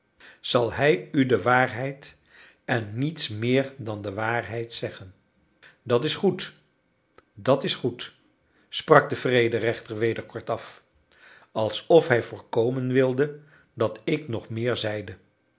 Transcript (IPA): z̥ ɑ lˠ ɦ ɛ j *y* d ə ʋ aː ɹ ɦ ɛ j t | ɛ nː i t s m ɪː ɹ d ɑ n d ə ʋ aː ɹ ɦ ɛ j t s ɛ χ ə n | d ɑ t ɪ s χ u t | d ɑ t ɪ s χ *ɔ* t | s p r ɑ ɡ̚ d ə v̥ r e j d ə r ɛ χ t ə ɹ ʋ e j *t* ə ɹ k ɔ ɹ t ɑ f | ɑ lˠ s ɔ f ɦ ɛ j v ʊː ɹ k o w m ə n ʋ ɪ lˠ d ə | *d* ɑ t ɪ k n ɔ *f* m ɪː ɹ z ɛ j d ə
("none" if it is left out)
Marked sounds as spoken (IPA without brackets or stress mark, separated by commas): y, u, d, d, χ